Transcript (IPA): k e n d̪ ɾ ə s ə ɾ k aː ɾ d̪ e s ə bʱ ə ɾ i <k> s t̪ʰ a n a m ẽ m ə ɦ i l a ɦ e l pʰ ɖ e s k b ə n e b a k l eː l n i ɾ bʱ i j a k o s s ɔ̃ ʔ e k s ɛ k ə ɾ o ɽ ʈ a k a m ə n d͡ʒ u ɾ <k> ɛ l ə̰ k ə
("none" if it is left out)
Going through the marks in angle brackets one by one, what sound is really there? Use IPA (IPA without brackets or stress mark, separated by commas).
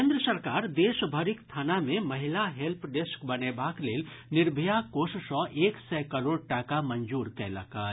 k, k